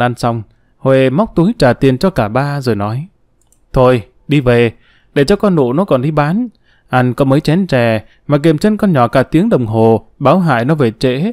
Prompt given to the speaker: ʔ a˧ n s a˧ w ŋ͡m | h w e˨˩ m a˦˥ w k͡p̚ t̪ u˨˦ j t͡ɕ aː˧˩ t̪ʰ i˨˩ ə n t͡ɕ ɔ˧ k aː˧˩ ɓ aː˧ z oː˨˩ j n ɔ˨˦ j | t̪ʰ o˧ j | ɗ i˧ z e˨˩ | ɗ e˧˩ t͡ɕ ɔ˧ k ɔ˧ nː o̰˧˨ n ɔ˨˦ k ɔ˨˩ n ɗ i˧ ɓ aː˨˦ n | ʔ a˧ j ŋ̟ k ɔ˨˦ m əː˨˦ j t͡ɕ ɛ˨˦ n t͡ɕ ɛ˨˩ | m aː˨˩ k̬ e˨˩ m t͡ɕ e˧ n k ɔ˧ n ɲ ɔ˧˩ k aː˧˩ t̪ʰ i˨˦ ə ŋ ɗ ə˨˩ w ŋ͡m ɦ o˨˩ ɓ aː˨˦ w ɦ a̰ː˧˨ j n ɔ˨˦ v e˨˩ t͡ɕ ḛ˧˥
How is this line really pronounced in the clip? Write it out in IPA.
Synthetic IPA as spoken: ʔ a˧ n s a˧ w ŋ͡m | h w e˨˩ m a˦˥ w k͡p̚ t̪ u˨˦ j t͡ɕ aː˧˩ t̪ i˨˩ ə n t͡ɕ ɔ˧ k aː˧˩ ɓ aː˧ z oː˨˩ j n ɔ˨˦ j | t̪ʰ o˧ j | ɗ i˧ v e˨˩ | ɗ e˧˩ t͡ɕ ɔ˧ k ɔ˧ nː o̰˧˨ n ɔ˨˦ k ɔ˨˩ n ɗ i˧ ɓ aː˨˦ n | ʔ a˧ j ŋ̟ k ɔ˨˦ m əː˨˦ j t͡ɕ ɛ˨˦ n t͡ɕ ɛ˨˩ | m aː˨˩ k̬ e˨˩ m t͡ɕ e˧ n k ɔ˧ n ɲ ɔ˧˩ k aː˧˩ t̪ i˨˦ ə ŋ ɗ ə˨˩ w ŋ͡m ɦ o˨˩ ɓ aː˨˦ w ɦ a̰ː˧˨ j n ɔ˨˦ v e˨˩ t͡ɕ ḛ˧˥